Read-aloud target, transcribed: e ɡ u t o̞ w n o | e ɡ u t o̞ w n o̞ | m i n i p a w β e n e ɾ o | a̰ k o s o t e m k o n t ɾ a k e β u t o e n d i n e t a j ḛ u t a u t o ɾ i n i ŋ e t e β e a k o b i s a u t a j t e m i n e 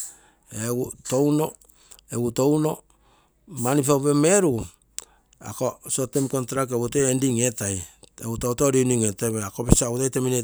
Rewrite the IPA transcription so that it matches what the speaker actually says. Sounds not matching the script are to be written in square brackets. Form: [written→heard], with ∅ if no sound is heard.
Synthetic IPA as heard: e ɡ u t o̞ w n o | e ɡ u t o̞ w n o̞ | m [i→a] n i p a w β e [n→m] e ɾ [o→u] | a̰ k o s o t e m k o n t ɾ a k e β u t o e n d i [n→ŋ] e t a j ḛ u t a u t o ɾ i n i ŋ e t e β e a k o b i s a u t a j t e m i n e